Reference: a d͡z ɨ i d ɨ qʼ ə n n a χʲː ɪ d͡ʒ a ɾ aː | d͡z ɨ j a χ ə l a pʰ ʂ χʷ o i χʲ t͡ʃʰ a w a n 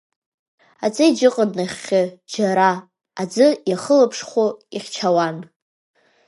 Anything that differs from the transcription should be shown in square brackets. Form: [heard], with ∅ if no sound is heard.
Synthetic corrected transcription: a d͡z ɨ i [d͡ʒ] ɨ qʼ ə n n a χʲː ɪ d͡ʒ a ɾ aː | d͡z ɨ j a χ ə l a pʰ ʂ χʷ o i χʲ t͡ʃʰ a w a n